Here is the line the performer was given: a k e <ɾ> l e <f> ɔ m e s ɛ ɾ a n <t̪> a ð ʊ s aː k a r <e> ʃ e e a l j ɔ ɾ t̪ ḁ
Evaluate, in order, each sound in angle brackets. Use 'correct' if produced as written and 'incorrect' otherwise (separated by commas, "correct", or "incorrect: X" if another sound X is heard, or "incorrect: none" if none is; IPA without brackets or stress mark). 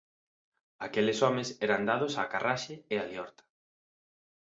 incorrect: none, incorrect: s, incorrect: d̪, incorrect: a